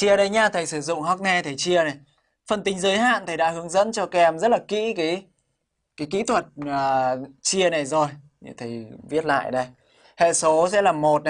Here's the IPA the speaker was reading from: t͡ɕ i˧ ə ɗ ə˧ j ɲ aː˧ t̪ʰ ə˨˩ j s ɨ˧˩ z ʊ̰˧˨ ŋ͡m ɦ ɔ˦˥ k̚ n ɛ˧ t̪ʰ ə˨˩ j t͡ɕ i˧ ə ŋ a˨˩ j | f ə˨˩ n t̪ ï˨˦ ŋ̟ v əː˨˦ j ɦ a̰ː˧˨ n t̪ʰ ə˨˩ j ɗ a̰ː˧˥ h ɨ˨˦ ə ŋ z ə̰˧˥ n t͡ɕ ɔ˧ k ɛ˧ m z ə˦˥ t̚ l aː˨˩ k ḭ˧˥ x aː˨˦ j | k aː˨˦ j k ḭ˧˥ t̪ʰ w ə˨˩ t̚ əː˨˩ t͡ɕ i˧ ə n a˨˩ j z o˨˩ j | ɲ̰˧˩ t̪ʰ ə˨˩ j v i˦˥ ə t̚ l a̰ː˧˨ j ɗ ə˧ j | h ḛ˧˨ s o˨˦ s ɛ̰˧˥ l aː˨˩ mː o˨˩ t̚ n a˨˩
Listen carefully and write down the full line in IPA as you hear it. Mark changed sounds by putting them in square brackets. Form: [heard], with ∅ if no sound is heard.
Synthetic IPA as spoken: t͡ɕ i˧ ə ɗ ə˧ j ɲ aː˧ t̪ʰ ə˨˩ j s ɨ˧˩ z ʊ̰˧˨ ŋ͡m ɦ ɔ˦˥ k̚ n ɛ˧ t̪ʰ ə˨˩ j t͡ɕ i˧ ə [n] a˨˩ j | f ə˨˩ n t̪ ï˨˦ ŋ̟ [z] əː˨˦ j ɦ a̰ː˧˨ n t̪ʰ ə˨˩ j ɗ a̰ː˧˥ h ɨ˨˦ ə ŋ z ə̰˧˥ n t͡ɕ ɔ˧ k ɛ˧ m z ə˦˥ t̚ l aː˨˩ k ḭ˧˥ [k] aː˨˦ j | k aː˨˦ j k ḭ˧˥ t̪ʰ w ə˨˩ t̚ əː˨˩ t͡ɕ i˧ ə n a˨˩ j z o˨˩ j | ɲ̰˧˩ t̪ʰ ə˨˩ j v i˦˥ ə t̚ l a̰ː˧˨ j ɗ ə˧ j | h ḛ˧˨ s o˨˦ s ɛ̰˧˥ l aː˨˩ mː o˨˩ t̚ n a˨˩